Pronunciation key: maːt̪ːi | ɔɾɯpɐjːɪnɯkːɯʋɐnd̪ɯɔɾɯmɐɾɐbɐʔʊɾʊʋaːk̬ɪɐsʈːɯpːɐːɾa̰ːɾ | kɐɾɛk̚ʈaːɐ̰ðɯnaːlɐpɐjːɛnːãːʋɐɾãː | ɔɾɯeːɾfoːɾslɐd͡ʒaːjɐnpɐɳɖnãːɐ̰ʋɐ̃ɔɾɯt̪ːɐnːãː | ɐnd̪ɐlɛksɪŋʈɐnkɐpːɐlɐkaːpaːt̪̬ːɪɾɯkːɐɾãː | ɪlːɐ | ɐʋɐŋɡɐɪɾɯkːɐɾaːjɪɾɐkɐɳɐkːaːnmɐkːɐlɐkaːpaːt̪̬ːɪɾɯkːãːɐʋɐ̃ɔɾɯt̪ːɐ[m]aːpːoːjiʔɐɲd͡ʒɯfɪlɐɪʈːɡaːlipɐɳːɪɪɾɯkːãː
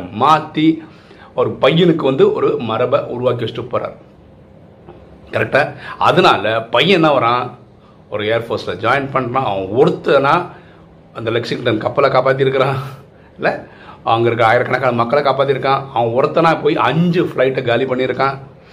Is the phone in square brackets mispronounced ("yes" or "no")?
yes